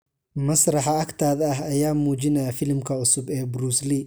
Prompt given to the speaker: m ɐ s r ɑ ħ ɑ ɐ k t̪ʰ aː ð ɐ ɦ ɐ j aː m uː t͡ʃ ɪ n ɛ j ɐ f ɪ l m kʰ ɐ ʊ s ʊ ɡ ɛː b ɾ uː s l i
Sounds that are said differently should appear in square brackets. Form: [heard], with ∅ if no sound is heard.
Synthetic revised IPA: m ɐ s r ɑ ħ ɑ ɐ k t̪ʰ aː ð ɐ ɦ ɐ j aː m uː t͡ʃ ɪ n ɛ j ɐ f ɪ l m kʰ ɐ ʊ s ʊ [b] ɛː b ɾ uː s l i